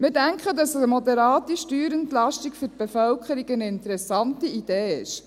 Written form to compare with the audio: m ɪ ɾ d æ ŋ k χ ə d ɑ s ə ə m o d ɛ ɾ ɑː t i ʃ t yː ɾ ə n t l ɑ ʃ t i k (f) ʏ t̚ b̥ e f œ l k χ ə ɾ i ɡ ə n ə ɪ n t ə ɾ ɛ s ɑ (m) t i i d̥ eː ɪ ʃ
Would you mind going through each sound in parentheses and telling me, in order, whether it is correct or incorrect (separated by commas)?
correct, incorrect